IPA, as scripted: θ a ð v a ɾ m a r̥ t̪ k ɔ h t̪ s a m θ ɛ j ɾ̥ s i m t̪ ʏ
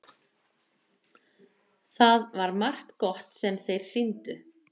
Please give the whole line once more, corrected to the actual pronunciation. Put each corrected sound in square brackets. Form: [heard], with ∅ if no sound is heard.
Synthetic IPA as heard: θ a ð v a ɾ m a r̥ t̪ k ɔ h t̪ s [ɛ] m θ [e] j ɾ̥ s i [n] t̪ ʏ